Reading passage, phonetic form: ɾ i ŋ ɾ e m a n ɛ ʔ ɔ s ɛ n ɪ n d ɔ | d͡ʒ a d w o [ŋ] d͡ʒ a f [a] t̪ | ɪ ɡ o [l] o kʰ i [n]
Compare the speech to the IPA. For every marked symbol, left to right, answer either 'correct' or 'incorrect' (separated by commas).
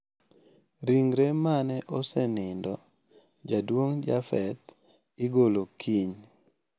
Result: correct, incorrect, correct, incorrect